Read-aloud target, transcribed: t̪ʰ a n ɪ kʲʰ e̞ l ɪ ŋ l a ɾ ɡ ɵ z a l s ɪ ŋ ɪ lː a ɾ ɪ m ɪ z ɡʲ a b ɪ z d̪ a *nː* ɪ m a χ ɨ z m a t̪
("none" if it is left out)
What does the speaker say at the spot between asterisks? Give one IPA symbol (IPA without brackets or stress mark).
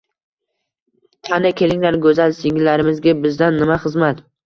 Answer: nː